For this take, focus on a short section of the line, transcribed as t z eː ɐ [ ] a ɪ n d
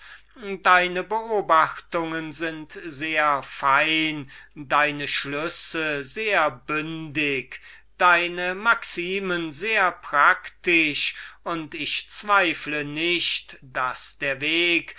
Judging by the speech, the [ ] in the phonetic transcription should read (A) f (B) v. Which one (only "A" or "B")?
A